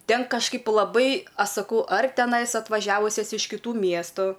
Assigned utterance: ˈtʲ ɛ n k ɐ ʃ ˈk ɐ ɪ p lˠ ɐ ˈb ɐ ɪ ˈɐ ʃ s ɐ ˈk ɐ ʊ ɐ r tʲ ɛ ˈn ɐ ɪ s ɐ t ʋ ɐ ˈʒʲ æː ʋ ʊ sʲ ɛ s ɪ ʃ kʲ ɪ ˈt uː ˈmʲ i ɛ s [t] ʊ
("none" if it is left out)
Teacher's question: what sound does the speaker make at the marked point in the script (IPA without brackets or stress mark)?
t